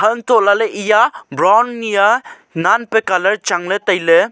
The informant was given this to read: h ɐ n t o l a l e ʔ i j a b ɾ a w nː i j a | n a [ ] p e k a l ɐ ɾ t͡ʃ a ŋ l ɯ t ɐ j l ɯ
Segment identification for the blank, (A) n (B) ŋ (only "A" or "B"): A